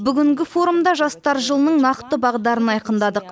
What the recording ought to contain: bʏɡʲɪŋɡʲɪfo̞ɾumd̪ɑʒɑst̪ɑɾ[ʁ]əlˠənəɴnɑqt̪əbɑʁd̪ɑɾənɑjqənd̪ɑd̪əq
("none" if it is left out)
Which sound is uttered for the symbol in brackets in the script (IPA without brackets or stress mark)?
ʒ